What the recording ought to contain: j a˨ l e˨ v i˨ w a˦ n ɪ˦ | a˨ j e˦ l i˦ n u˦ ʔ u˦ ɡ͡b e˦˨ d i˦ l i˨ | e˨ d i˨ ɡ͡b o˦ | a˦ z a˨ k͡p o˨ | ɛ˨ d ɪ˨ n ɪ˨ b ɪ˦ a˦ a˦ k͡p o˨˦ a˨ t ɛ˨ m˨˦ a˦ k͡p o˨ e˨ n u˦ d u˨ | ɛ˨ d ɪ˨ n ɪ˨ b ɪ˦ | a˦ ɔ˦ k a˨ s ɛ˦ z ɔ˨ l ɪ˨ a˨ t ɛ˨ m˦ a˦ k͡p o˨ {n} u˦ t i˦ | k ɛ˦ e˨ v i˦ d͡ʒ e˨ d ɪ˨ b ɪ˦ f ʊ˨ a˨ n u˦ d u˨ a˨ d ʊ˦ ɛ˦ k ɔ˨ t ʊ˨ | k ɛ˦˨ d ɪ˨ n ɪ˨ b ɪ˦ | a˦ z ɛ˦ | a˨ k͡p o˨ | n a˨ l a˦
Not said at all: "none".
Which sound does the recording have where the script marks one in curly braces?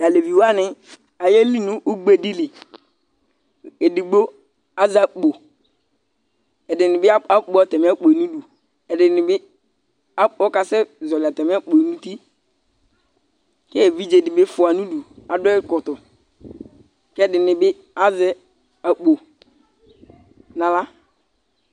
n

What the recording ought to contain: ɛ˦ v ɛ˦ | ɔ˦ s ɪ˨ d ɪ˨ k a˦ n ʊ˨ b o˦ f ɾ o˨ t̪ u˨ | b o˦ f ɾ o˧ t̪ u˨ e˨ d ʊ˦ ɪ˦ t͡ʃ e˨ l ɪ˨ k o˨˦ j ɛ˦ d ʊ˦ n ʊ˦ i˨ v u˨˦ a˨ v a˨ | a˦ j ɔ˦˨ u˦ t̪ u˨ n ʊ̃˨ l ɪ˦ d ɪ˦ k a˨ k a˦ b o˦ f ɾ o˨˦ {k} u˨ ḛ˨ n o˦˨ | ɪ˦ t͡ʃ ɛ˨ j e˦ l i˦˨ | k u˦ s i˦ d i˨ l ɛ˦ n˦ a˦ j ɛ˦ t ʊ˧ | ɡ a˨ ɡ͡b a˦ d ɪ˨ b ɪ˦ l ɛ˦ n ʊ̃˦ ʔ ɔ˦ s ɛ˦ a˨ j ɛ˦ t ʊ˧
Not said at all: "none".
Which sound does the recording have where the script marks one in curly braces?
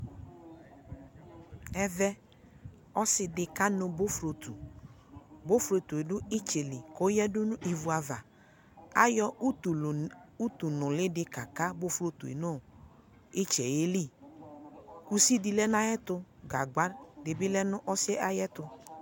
t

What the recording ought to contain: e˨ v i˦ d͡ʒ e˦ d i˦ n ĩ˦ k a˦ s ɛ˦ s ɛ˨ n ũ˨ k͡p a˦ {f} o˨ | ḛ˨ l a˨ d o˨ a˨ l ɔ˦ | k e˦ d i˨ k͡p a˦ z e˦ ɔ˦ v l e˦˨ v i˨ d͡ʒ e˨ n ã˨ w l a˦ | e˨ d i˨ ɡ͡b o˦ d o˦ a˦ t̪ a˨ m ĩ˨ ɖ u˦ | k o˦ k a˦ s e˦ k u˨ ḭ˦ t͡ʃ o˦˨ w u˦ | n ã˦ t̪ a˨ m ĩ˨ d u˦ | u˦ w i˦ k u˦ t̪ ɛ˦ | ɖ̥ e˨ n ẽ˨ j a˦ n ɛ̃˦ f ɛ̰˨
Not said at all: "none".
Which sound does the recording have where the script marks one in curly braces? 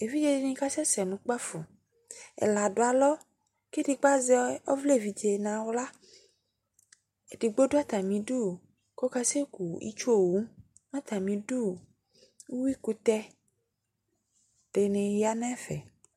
f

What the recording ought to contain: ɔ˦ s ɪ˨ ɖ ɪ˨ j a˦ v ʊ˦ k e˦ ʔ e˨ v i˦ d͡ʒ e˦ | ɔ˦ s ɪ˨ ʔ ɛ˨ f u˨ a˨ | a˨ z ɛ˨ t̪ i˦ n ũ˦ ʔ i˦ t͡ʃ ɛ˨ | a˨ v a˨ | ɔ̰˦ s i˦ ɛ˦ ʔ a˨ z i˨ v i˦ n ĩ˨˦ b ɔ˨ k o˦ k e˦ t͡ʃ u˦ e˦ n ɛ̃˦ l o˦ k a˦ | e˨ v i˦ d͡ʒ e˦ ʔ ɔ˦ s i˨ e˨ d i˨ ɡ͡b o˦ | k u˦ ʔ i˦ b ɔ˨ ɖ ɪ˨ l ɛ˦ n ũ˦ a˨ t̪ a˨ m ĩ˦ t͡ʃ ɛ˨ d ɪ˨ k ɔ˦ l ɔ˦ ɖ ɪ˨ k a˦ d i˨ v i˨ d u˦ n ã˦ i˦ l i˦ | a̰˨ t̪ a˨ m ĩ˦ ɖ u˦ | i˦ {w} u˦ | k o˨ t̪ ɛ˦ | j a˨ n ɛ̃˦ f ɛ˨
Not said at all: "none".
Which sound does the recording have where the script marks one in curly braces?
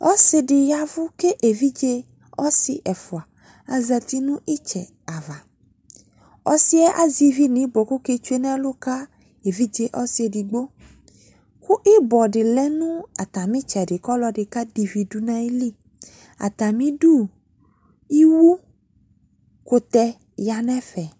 w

